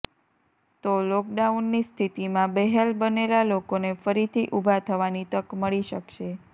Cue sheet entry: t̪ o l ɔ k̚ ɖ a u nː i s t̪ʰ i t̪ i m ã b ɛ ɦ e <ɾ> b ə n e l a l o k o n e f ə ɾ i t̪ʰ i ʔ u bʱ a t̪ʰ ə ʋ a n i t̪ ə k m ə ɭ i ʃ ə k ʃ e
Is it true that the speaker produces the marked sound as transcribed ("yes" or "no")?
no